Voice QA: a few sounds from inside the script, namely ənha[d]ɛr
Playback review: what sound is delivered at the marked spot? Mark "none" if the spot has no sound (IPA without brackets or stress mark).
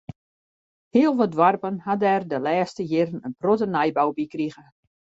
d